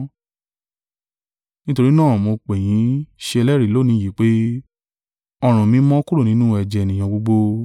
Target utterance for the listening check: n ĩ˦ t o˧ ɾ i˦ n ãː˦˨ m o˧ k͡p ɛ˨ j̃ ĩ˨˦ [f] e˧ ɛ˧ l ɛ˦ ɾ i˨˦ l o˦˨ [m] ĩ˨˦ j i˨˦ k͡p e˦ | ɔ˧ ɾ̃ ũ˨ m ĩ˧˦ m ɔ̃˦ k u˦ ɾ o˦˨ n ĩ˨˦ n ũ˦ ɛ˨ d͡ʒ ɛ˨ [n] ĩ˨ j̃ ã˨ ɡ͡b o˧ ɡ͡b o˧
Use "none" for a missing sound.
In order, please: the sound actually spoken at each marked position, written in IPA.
ʃ, n, n

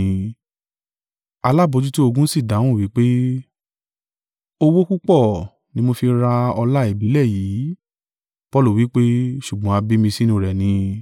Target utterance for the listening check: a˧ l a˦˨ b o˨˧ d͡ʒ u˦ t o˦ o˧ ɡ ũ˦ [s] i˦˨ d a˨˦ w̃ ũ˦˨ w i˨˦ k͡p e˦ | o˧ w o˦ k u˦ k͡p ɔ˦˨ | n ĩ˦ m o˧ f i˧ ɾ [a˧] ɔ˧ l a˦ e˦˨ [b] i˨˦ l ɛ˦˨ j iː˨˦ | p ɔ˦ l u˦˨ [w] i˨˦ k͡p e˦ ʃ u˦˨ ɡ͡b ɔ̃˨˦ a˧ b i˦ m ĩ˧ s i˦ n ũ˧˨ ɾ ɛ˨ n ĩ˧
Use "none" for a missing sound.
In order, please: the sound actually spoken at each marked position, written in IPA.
s, a˧, b, w

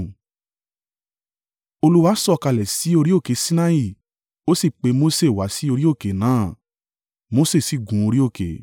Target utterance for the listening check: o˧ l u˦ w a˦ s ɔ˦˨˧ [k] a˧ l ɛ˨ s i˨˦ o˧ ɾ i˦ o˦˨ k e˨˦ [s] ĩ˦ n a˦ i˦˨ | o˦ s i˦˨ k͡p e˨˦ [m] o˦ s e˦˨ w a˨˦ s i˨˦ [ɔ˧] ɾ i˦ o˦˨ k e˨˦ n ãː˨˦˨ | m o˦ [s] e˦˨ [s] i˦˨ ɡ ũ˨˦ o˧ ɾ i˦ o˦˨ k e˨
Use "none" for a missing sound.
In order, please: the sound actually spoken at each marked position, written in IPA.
k, s, m, o˧, s, s

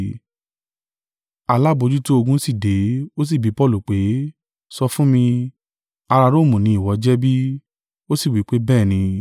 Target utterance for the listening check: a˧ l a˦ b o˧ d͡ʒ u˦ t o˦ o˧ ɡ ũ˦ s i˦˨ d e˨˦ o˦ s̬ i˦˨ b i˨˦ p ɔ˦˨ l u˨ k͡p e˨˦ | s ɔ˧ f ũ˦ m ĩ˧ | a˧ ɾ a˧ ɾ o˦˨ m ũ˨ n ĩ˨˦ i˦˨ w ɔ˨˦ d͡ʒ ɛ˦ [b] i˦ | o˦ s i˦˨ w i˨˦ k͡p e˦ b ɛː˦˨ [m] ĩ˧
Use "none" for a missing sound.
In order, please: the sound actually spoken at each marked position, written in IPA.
b, n

